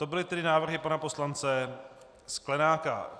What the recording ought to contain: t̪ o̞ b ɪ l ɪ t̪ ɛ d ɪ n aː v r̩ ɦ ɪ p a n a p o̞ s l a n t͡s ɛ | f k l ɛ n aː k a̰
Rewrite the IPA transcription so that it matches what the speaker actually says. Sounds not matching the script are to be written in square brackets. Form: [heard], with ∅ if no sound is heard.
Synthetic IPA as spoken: t̪ o̞ b ɪ l ɪ t̪ ɛ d ɪ n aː v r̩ ɦ ɪ p a n a p o̞ s l a n t͡s ɛ | [s] k l ɛ n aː k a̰